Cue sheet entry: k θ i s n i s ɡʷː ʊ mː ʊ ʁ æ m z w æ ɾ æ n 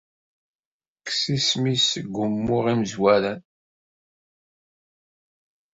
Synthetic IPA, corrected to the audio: k s i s m i s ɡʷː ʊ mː ʊ ʁ i m z w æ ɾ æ n